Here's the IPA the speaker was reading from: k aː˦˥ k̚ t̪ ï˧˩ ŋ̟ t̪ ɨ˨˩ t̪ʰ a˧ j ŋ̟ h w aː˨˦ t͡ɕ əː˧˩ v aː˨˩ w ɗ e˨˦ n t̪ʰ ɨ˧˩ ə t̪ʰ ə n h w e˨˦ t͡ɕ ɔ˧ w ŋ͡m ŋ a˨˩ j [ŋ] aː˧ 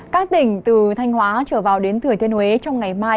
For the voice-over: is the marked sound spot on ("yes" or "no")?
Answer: no